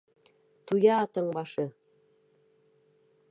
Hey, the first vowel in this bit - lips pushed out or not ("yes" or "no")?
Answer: yes